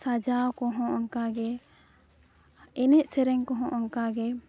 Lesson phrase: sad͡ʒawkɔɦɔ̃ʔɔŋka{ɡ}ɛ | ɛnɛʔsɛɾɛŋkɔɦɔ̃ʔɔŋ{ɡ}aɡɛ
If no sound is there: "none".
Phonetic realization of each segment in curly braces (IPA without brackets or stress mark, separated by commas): ɡ, k